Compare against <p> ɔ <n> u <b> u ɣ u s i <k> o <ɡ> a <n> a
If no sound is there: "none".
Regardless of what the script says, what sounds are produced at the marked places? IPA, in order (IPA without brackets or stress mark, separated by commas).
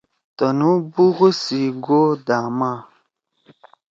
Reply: t, n, b, ɡ, d, m